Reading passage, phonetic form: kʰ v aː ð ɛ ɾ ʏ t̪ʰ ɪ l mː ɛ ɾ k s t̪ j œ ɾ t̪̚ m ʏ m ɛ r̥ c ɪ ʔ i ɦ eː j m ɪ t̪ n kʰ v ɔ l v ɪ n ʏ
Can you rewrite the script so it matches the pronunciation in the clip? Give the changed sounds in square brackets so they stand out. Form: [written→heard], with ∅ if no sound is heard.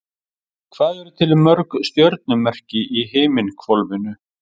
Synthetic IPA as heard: kʰ v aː ð ɛ ɾ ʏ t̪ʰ ɪ l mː [ɛ→œ] ɾ k s t̪ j œ ɾ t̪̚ [m→n] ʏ m ɛ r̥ c ɪ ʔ i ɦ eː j m ɪ [t̪→∅] n kʰ v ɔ l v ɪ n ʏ